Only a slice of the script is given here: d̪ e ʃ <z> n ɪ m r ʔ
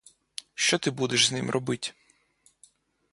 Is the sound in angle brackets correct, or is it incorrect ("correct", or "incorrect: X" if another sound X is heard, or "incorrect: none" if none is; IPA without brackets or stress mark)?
correct